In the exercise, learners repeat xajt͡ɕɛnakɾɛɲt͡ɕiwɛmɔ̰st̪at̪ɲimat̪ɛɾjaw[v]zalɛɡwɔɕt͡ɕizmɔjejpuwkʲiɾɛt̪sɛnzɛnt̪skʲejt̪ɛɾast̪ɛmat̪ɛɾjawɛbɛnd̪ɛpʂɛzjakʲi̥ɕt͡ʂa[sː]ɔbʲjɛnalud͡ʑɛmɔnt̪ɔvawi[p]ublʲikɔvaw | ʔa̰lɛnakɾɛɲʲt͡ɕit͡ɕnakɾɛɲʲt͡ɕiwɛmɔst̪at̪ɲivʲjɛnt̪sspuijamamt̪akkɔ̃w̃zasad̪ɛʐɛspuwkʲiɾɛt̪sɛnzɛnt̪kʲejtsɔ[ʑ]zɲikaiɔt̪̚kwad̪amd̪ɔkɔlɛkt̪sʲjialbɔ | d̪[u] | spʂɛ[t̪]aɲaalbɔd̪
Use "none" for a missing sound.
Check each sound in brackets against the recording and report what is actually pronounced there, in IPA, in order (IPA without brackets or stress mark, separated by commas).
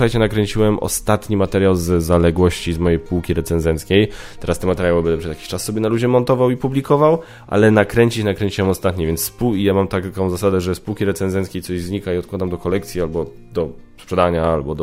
z, sː, p, ʑ, ɔ, d̪